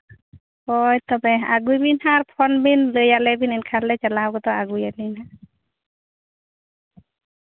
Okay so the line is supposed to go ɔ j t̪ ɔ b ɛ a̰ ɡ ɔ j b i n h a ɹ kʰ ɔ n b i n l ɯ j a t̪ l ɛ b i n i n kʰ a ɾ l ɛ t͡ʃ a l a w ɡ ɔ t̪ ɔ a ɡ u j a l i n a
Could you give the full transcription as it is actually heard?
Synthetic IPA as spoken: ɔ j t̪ ɔ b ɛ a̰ ɡ u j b i n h a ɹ pʰ ɔ n b i n l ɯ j a l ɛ b i n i n kʰ a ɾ l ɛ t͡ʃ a l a w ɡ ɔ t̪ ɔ a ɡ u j a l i n a